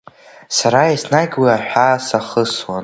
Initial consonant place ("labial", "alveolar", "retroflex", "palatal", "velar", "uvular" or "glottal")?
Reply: alveolar